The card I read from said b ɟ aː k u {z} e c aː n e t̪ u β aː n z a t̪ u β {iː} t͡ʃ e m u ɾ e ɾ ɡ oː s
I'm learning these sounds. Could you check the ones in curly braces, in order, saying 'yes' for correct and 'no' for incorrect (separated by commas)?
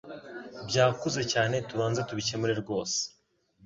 yes, no